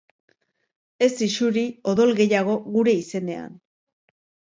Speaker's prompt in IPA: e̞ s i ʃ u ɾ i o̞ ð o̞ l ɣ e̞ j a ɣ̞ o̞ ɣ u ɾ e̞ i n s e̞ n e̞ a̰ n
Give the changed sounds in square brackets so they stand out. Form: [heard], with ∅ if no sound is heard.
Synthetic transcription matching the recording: e̞ s i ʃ u ɾ i o̞ ð o̞ l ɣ e̞ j a ɣ̞ o̞ ɣ u ɾ e̞ i [∅] s e̞ n e̞ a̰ n